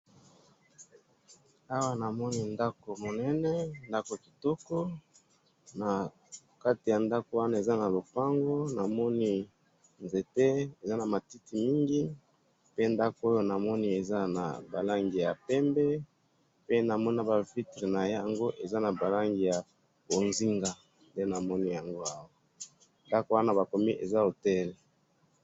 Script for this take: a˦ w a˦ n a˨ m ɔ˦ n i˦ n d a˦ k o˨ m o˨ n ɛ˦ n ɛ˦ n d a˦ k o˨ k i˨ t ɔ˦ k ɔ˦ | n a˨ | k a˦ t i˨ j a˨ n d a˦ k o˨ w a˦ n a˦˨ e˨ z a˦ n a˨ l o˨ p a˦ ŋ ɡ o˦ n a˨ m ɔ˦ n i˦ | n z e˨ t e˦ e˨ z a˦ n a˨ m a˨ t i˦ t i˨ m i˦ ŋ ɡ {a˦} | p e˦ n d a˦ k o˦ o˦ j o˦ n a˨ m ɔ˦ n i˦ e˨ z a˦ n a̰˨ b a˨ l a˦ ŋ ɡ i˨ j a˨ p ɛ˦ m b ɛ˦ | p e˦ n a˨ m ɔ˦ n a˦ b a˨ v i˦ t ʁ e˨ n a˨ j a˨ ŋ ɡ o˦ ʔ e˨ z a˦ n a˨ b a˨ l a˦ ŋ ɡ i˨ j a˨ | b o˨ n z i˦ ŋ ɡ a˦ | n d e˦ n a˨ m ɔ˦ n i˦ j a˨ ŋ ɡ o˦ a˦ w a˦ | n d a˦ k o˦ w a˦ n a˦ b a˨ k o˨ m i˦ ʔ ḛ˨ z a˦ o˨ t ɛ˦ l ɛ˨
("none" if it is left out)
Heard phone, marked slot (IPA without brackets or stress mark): i˦